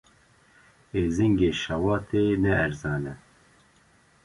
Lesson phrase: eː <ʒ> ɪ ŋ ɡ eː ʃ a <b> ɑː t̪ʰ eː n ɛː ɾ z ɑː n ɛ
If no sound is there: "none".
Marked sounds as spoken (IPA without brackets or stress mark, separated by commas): z, w